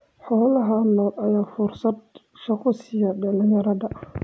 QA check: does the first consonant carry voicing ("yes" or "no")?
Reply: no